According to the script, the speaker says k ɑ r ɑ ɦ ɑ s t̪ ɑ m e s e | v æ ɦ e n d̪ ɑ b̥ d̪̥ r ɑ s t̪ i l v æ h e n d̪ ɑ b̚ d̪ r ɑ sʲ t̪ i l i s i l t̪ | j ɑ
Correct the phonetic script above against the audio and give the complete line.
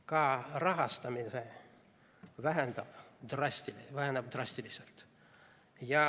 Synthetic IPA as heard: k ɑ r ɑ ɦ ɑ s t̪ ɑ m i s e | v æ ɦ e n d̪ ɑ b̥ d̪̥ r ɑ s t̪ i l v æ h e n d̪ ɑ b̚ d̪ r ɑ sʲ t̪ i l i s e l t̪ | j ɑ